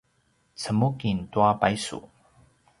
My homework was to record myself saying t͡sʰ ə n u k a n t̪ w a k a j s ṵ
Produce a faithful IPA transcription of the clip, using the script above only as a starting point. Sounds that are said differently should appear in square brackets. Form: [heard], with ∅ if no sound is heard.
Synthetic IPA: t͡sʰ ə [m] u k [i] n t̪ w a [p] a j s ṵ

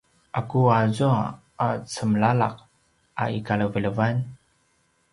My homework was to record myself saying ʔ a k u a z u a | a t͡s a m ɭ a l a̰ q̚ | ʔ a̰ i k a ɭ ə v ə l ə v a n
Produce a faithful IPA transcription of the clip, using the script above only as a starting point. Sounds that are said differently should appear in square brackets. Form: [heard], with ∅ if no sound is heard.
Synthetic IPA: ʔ a k u a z u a | a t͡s [ə] m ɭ a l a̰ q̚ | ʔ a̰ i k a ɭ ə v ə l ə v a n

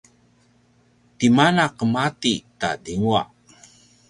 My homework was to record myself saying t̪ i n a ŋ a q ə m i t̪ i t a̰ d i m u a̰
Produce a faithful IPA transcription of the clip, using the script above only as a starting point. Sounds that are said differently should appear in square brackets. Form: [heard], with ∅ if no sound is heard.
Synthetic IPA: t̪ i [m] a [n] a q ə m [a] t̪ i t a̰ d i [ŋ] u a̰

